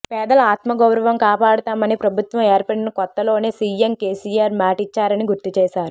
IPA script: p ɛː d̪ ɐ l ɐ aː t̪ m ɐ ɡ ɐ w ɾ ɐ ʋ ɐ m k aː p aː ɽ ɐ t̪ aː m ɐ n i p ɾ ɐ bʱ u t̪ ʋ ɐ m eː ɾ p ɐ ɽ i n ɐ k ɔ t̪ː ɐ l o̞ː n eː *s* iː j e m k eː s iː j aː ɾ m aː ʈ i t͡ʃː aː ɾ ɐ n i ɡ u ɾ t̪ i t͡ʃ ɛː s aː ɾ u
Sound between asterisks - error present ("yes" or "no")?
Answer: no